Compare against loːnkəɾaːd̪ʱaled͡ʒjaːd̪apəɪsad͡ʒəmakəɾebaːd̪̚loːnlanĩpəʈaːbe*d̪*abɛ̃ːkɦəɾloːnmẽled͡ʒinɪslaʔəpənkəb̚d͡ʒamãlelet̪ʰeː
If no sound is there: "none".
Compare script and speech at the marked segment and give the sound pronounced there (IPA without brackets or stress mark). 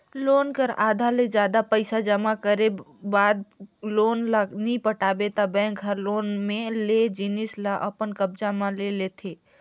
t̪